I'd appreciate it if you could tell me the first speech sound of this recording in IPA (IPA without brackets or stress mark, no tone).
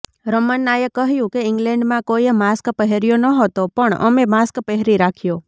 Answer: ɾ